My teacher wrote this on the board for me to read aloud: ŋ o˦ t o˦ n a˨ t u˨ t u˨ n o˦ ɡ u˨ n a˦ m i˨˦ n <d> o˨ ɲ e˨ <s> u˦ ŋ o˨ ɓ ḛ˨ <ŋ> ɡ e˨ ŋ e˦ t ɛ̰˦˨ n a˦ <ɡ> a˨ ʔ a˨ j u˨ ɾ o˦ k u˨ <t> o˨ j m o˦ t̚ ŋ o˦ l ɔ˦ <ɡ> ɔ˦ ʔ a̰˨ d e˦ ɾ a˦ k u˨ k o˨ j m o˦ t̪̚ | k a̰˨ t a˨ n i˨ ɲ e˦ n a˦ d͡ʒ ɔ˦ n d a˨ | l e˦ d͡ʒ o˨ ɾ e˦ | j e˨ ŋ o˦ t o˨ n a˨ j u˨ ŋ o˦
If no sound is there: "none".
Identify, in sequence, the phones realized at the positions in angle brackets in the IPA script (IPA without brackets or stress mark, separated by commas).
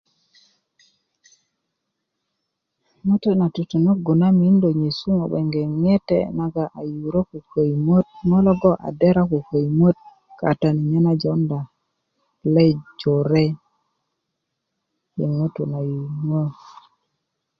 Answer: d, s, ŋ, ɡ, k, ɡ